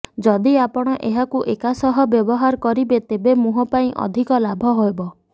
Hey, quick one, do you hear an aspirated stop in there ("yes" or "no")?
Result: no